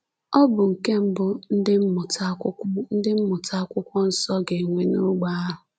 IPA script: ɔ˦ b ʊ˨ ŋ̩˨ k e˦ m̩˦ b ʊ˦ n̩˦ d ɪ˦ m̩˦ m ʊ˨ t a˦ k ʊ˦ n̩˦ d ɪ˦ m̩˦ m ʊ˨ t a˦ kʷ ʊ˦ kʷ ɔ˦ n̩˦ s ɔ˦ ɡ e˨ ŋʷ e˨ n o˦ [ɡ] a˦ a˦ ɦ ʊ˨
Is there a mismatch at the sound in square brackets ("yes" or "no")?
yes